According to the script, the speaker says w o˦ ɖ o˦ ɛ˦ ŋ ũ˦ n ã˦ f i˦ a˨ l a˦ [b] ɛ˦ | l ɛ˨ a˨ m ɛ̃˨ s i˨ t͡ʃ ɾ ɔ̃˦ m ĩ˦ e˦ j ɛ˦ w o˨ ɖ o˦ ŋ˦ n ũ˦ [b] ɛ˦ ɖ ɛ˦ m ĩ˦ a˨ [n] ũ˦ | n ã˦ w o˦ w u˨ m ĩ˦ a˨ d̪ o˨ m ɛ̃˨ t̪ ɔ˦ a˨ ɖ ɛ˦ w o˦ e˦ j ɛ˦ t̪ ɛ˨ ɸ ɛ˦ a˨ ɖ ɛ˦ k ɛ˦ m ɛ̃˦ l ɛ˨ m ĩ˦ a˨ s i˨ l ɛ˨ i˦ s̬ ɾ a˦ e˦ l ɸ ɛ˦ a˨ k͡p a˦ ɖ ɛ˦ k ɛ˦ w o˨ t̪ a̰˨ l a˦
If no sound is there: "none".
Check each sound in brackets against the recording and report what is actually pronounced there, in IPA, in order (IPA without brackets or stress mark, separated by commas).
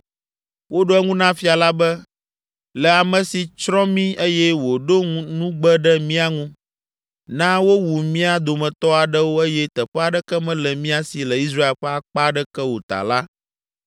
b, ɡ͡b, ŋ